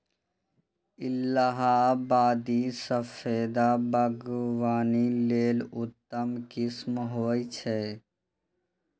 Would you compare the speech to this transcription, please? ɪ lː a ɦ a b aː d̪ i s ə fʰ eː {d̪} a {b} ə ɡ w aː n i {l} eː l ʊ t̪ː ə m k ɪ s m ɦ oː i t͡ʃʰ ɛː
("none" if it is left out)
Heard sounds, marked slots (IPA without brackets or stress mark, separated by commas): d̪, b, l